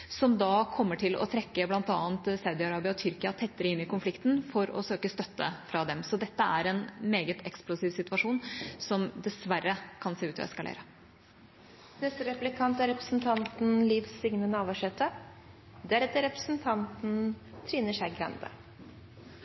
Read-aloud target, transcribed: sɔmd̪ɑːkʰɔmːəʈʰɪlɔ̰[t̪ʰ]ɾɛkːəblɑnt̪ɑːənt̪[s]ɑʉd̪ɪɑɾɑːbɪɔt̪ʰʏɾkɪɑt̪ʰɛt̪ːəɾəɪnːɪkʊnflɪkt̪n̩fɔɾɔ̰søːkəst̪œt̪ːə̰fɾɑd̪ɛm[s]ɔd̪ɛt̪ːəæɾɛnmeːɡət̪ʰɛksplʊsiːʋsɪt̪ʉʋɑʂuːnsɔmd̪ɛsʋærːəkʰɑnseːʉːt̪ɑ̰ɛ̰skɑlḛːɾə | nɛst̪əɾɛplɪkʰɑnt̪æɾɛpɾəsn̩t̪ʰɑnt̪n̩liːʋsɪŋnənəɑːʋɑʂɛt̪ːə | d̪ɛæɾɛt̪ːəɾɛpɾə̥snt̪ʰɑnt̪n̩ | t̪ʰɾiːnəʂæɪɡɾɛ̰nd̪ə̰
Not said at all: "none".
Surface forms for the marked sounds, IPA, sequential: t̪ʰ, s, s

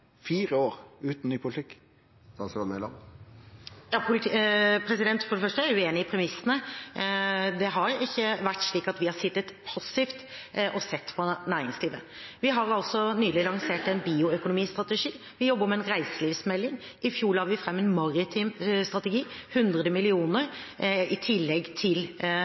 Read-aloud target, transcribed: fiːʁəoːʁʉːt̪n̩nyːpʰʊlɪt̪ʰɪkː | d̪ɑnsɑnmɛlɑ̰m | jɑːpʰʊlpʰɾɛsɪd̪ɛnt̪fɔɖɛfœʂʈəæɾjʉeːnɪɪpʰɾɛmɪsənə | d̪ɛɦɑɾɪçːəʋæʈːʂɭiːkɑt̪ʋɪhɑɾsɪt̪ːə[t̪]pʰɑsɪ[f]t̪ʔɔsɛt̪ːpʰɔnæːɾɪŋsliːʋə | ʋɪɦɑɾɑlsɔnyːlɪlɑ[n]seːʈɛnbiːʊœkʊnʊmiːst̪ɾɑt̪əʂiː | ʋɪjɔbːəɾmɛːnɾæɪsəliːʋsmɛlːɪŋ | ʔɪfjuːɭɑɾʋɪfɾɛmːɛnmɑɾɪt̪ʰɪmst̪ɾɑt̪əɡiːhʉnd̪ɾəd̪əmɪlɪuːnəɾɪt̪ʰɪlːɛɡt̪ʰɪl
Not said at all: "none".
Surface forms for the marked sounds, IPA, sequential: t̪, f, ŋ

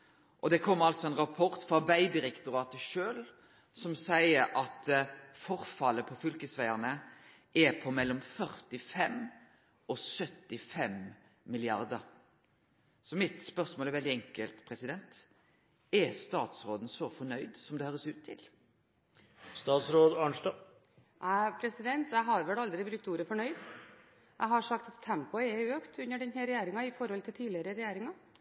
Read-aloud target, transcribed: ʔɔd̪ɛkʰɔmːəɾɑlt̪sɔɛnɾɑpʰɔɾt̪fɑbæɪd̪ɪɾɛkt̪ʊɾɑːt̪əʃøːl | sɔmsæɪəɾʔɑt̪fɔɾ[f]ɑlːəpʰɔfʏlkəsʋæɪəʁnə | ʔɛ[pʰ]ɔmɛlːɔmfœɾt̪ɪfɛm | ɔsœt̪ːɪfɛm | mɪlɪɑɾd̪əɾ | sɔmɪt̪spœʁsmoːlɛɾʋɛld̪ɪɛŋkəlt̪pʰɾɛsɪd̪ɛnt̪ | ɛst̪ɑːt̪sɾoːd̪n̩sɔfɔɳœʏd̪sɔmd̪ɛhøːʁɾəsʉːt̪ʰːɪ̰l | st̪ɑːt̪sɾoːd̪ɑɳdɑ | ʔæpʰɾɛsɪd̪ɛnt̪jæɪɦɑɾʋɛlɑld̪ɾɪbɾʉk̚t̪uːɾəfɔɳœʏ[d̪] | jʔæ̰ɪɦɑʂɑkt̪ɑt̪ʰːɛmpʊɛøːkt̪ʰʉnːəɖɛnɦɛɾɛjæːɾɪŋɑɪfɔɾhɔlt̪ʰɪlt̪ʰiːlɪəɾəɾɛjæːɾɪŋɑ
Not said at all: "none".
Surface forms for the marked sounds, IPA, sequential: f, pʰ, d̪

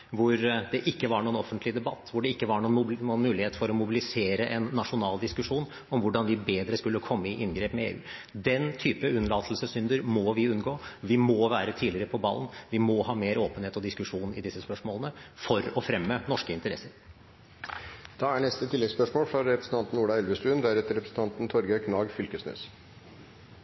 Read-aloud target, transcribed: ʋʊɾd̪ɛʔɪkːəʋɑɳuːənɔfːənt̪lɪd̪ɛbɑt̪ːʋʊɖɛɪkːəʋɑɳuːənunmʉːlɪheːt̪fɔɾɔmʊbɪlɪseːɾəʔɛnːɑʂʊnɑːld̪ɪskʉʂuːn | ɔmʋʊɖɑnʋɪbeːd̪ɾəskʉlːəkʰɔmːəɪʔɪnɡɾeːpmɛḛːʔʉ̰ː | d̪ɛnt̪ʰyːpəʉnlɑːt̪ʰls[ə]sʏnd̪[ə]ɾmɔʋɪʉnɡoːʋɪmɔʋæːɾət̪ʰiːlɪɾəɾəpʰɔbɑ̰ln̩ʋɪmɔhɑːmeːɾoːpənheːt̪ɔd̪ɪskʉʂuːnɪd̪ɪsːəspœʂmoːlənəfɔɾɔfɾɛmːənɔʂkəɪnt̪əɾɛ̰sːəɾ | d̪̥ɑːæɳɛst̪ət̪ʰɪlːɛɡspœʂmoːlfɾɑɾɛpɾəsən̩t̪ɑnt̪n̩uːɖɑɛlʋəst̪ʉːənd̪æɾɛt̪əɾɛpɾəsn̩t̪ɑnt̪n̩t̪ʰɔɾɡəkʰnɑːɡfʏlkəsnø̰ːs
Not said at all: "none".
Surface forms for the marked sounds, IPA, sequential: ə, ə

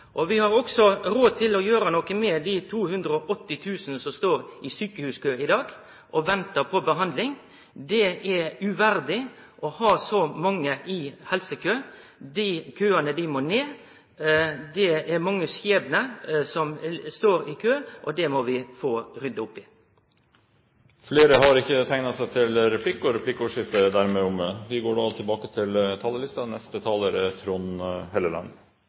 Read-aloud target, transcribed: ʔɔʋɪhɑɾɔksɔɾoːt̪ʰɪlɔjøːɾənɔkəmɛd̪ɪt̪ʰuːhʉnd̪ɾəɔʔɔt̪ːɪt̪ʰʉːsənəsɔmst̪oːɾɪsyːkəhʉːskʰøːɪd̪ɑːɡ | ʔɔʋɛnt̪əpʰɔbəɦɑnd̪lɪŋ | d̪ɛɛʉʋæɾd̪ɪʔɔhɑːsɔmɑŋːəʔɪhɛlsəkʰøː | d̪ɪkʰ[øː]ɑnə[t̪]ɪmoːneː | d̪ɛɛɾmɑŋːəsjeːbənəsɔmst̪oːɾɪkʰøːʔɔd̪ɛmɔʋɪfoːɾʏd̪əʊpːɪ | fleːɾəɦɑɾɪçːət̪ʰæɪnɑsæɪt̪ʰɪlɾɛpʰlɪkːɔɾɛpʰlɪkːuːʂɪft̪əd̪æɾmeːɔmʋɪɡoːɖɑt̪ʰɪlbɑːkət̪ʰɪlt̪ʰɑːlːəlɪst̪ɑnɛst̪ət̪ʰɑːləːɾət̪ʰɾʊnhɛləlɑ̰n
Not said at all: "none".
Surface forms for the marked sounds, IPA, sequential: øː, d̪

